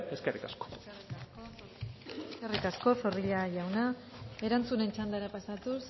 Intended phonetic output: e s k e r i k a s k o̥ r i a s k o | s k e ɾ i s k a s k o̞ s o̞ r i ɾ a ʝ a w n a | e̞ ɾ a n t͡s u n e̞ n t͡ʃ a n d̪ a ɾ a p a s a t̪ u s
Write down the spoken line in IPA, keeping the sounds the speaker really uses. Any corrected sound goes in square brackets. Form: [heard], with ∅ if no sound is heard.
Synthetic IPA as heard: e s k e r i k a s k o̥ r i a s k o | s k e [r] i [∅] k a s k o̞ s o̞ r i [ʎ] a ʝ a w n a | e̞ ɾ a n t͡s u n e̞ n t͡ʃ a n d̪ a ɾ a p a s a t̪ u s